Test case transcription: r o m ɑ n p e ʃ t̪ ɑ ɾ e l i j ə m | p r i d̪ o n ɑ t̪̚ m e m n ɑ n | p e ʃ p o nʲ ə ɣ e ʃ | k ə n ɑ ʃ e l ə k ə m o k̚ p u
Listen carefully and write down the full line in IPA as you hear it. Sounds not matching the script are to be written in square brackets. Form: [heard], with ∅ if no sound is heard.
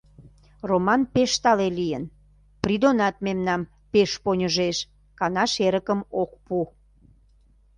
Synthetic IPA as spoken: r o m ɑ n p e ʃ t̪ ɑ [l] e l i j ə [n] | p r i d̪ o n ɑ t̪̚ m e m n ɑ [m] | p e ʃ p o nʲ ə [ʒ] e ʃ | k [ɑ] n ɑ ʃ e [ɾ] ə k ə m o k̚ p u